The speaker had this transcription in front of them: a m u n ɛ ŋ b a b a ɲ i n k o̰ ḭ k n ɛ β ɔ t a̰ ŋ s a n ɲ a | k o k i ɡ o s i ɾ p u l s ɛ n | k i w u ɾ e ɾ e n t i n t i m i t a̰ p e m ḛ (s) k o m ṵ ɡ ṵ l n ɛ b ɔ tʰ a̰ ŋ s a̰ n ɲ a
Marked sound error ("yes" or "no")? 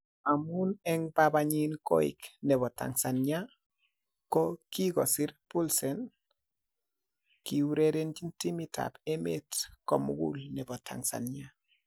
yes